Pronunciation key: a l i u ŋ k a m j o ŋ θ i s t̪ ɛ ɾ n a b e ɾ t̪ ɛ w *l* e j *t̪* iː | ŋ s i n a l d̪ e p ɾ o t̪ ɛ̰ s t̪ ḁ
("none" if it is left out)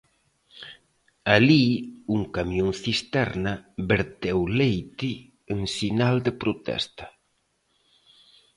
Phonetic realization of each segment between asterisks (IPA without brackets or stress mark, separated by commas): l, t̪